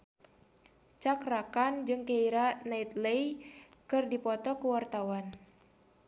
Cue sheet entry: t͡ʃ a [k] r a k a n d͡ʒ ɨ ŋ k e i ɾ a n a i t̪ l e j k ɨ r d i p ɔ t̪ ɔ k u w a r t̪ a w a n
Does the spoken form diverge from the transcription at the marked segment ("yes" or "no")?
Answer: no